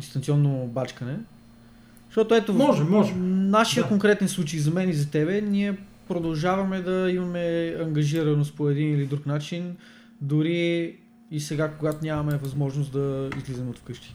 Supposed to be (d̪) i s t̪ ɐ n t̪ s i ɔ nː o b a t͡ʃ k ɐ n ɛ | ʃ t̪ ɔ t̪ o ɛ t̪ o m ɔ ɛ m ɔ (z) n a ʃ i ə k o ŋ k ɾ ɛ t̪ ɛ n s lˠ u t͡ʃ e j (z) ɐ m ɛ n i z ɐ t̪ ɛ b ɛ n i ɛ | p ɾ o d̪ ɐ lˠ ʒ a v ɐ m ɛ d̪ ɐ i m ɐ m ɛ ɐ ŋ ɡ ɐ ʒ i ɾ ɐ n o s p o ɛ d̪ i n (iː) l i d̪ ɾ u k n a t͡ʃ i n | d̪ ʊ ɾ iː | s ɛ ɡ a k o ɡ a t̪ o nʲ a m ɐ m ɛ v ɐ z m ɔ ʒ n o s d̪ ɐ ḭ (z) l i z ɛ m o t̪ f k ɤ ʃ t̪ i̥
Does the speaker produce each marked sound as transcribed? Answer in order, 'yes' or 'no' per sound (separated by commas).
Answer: yes, no, yes, no, yes